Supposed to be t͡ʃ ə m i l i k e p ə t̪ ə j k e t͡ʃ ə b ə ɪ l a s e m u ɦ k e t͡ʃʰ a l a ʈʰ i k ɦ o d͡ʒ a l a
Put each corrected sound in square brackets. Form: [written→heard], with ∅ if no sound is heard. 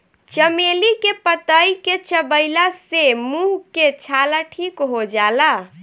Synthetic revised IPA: t͡ʃ ə m [i→e] l i k e p ə t̪ ə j k e t͡ʃ ə b ə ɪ l a s e m u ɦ k e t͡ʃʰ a l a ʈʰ i k ɦ o d͡ʒ a l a